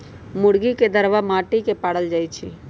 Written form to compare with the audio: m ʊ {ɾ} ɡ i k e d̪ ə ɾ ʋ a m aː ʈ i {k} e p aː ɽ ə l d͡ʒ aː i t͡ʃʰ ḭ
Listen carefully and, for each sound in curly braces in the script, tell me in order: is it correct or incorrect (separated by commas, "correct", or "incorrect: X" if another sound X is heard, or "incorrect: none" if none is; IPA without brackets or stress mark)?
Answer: incorrect: ɽ, correct